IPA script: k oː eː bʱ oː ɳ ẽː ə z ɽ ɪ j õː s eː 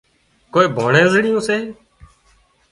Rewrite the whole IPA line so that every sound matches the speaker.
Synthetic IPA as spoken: k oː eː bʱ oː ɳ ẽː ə z ɽ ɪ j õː s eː